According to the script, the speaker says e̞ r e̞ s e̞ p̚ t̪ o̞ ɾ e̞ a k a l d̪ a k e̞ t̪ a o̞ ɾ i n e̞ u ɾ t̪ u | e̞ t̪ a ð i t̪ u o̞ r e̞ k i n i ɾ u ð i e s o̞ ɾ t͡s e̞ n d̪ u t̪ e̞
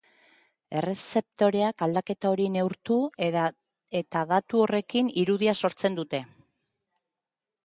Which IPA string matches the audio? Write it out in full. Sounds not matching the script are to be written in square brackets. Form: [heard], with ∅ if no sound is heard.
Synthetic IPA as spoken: e̞ r e̞ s e̞ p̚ t̪ o̞ ɾ e̞ a k a l d̪ a k e̞ t̪ a o̞ ɾ i n e̞ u ɾ t̪ u | e̞ t̪ a ð [a] t̪ u o̞ r e̞ k i n i ɾ u ð i [a] s o̞ ɾ t͡s e̞ n d̪ u t̪ e̞